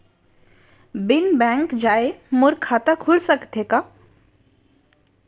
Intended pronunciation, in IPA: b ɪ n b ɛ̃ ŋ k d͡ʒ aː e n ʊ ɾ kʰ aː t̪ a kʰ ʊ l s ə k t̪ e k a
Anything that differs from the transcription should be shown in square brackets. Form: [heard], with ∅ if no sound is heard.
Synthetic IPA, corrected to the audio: b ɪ n b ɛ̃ ŋ k d͡ʒ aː e [m] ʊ ɾ kʰ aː t̪ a kʰ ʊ l s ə k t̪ e k a